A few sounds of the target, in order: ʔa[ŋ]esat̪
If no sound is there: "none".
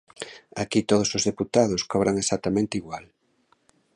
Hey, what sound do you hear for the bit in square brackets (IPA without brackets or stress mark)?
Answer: ŋ